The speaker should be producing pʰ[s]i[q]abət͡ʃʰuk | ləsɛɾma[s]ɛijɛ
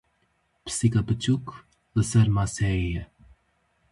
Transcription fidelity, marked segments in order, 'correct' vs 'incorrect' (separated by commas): correct, incorrect, correct